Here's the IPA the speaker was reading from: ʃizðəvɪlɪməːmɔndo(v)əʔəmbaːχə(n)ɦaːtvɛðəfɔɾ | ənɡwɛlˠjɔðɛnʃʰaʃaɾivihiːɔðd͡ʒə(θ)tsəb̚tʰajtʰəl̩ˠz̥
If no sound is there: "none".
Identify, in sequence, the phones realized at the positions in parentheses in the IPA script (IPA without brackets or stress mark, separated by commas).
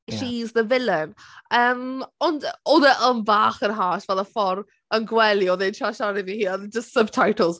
ð, n, s